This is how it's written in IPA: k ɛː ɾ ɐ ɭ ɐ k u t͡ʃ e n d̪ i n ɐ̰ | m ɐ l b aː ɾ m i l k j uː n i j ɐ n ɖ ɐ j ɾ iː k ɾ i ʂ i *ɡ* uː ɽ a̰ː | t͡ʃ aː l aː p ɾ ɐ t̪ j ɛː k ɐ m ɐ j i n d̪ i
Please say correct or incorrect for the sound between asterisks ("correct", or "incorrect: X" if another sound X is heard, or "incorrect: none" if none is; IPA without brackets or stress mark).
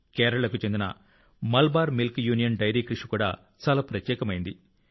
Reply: incorrect: k